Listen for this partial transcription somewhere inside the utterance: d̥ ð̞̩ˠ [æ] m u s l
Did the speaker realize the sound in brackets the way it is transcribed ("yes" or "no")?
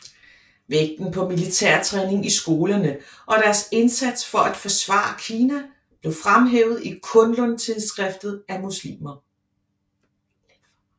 yes